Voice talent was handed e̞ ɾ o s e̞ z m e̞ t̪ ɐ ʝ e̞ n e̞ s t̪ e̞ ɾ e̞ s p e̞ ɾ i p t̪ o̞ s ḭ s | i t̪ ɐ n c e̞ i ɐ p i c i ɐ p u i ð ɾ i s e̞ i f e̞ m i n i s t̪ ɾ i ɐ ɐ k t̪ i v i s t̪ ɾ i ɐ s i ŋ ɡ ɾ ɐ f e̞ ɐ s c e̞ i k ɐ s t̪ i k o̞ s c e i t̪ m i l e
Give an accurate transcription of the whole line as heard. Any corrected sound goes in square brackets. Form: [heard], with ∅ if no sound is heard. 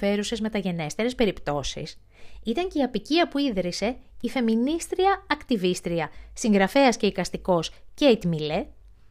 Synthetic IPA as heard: e̞ ɾ [u] s e̞ z m e̞ t̪ ɐ ʝ e̞ n e̞ s t̪ e̞ ɾ e̞ s p e̞ ɾ i p t̪ o̞ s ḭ s | i t̪ ɐ [ɲ] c e̞ i ɐ p i c i ɐ p u i ð ɾ i s e̞ i f e̞ m i n i s t̪ ɾ i ɐ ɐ k t̪ i v i s t̪ ɾ i ɐ s i ŋ ɡ ɾ ɐ f e̞ ɐ s c e̞ i k ɐ s t̪ i k o̞ s c e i t̪ m i l e